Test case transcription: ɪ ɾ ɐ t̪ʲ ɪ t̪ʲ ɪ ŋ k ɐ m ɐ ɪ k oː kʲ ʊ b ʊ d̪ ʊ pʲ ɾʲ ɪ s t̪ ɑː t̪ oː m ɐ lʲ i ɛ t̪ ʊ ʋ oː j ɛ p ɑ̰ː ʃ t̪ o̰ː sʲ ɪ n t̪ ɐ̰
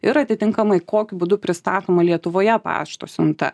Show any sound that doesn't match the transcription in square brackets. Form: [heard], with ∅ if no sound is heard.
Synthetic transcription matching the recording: ɪ ɾ ɐ t̪ʲ ɪ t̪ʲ ɪ ŋ k ɐ m ɐ ɪ k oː kʲ ʊ b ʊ d̪ ʊ pʲ ɾʲ ɪ s t̪ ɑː t̪ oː m ɐ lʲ i ɛ t̪ ʊ ʋ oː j ɛ p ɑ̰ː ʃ t̪ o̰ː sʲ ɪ n t̪ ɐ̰